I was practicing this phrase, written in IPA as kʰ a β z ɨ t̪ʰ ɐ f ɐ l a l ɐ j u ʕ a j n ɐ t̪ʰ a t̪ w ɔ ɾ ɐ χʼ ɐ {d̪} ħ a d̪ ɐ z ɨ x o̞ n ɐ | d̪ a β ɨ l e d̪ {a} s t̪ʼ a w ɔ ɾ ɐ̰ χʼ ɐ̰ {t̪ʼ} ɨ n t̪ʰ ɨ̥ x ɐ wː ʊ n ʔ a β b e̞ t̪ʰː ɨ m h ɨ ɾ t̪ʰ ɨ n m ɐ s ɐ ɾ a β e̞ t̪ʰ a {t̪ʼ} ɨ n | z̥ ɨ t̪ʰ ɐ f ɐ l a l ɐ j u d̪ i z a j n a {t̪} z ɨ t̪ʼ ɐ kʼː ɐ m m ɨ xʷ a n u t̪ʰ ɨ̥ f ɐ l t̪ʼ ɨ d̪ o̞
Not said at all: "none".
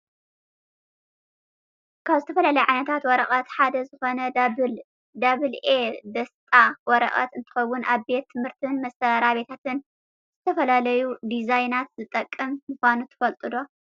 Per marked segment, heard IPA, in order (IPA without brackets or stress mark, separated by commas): t̪, ɐ, t̪, t̪, t̪